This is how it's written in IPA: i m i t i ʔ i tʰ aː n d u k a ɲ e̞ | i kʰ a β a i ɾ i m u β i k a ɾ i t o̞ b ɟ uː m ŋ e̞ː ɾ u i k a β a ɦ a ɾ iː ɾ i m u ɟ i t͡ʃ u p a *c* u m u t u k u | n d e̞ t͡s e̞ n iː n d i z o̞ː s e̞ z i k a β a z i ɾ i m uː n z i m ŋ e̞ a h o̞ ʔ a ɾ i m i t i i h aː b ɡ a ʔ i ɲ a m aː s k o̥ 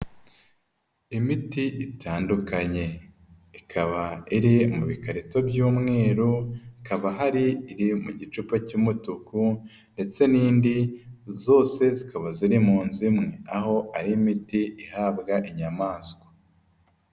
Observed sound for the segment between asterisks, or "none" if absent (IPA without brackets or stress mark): c